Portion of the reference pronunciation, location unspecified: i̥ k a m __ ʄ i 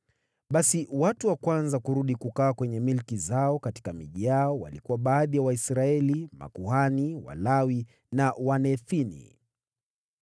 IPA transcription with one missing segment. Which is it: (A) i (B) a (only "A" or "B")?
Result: A